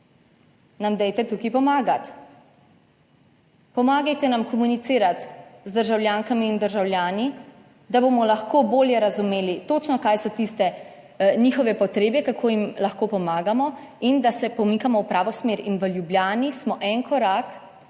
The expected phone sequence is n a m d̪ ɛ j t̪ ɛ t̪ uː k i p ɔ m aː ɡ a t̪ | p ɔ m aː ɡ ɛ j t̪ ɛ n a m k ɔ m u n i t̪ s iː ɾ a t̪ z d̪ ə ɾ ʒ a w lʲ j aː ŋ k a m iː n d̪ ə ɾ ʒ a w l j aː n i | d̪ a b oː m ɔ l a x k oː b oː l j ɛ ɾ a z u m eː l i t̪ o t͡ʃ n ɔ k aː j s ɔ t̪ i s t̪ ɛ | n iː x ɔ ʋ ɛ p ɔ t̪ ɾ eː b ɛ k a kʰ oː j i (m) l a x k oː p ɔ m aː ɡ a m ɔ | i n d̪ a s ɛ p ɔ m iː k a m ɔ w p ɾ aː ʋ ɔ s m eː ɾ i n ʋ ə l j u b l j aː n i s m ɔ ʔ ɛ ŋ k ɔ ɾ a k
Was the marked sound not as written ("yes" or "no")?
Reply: no